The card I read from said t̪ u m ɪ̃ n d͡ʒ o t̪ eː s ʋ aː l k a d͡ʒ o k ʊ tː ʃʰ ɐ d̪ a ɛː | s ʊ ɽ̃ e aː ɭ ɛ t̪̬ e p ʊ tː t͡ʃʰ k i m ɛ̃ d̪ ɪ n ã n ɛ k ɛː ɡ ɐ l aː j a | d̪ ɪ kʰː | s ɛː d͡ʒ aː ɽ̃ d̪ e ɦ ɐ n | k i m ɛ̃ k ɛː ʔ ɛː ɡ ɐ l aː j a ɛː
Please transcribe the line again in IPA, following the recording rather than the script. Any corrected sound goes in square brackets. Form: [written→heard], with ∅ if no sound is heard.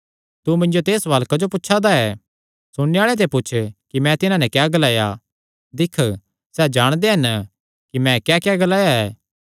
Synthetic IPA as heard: t̪ u m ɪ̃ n d͡ʒ o t̪ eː s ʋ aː l k a d͡ʒ o [k→p] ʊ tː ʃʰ [ɐ→a] d̪ a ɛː | s ʊ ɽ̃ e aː ɭ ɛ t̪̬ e p ʊ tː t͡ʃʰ k i m ɛ̃ [d̪→t̪] ɪ n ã n ɛ k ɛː ɡ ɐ l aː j a | d̪ ɪ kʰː | s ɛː d͡ʒ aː ɽ̃ d̪ e ɦ ɐ n | k i m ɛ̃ k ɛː [ʔ→k] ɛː ɡ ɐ l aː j a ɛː